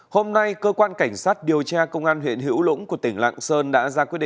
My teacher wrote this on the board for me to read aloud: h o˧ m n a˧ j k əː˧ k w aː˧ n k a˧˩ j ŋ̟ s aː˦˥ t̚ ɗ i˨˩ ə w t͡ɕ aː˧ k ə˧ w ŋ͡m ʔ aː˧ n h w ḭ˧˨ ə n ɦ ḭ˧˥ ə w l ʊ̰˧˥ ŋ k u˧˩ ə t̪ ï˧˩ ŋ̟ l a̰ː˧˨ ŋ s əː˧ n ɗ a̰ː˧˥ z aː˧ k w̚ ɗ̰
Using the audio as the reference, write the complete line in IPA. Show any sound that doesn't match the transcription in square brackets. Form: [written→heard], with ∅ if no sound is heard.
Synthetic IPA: h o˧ m n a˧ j k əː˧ k w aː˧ n k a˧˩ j ŋ̟ s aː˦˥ t̚ ɗ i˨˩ ə w t͡ɕ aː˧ k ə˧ w ŋ͡m ʔ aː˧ n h w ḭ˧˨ ə n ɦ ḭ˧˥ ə w l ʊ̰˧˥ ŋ k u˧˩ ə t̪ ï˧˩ ŋ̟ l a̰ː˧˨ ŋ s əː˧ n ɗ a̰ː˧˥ z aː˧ k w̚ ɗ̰